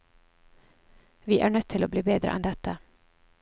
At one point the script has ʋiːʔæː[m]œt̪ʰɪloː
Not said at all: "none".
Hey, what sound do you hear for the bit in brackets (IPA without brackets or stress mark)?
ɳ